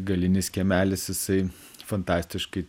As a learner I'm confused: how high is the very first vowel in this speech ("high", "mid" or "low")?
low